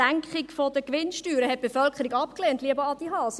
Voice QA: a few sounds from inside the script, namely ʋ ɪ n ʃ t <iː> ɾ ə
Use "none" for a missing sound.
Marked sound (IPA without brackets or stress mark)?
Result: yː